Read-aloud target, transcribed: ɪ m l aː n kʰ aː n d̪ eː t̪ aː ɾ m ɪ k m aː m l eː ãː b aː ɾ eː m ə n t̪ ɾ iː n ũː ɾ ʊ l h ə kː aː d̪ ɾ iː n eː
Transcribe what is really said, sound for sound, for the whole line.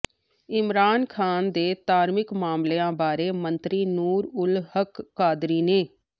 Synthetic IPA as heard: ɪ m ɾ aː n kʰ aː n d̪ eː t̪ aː ɾ m ɪ k m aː m l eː ãː b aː ɾ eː m ə n t̪ ɾ iː n uː ɾ ʊ l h ə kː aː d̪ ɾ iː n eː